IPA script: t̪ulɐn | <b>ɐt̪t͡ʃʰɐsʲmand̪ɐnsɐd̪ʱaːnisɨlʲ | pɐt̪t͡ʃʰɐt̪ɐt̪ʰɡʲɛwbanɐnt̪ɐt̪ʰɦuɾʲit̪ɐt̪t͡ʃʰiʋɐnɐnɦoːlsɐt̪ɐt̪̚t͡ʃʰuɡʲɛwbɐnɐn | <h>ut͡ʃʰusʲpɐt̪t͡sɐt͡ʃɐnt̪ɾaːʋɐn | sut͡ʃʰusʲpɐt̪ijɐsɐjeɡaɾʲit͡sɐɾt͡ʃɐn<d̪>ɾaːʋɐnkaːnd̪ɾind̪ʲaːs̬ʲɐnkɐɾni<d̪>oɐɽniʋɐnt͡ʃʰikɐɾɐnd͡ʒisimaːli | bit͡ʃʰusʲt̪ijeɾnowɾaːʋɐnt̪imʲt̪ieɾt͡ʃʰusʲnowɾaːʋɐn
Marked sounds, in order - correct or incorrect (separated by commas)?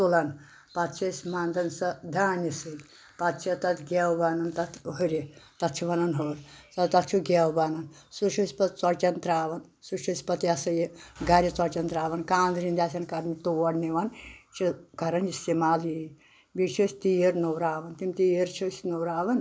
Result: incorrect, incorrect, incorrect, incorrect